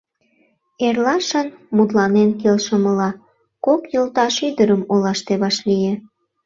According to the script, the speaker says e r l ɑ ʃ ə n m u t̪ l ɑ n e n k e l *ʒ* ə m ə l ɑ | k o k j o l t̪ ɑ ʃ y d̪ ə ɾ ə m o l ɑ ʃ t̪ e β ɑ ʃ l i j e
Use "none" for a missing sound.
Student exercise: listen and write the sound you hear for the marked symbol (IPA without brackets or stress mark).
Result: ʃ